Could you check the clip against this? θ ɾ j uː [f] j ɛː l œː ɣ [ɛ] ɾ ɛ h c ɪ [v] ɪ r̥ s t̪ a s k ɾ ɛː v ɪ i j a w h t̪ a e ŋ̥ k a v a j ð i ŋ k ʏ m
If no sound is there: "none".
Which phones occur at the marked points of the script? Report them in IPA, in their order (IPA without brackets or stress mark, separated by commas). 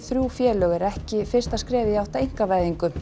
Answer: f, ɛ, f